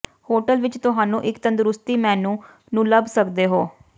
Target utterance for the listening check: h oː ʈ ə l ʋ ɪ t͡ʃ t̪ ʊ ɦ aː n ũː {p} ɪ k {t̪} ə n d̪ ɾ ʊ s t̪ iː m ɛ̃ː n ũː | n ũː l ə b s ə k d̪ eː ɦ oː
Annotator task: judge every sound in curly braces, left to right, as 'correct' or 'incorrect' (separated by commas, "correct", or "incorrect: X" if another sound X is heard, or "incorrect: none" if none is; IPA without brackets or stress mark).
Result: incorrect: ʔ, correct